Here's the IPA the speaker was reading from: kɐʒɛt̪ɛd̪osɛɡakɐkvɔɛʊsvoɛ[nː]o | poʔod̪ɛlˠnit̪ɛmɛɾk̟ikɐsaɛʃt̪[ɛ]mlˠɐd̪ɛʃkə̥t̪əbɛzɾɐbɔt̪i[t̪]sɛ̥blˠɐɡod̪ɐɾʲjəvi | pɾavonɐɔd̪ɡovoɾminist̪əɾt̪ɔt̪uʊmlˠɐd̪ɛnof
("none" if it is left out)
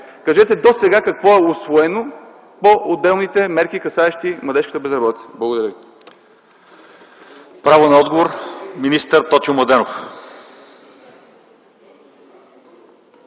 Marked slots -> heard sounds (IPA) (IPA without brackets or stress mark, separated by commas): n, i, t̪